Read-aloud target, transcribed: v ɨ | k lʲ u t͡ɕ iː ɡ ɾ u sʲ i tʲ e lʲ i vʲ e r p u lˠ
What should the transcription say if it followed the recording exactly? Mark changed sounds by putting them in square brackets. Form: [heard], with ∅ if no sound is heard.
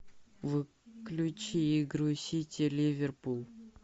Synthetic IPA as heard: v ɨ | k lʲ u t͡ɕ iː ɡ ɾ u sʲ i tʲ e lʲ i vʲ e r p u lˠ